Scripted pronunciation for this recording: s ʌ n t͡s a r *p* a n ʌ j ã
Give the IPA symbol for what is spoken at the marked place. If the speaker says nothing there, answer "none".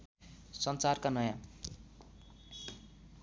k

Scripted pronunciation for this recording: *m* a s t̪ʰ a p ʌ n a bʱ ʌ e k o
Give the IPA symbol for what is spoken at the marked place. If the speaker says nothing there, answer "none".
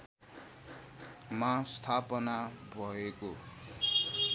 m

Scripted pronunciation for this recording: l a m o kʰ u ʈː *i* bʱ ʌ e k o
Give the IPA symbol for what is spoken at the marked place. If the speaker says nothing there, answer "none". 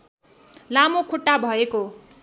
a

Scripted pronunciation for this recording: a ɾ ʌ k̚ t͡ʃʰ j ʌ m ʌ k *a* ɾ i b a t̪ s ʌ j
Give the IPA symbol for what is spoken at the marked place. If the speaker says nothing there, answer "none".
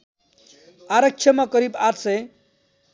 ʌ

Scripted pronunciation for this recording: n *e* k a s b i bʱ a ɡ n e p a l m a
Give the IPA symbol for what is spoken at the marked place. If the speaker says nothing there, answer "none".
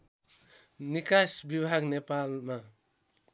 i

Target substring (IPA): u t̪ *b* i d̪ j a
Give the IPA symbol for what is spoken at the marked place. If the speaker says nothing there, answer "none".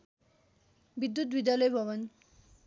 b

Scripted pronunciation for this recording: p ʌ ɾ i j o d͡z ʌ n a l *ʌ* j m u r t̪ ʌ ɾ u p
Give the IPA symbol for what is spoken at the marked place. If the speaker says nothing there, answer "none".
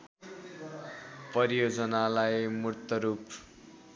a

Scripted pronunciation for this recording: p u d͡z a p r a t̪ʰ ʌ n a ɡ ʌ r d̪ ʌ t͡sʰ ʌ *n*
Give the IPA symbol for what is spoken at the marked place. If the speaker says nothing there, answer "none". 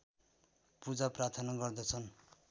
n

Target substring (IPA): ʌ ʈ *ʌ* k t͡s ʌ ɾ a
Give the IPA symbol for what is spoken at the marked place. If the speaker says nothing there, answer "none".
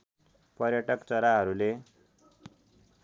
ʌ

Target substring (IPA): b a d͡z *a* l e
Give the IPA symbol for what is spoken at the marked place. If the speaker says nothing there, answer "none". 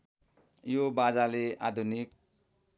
a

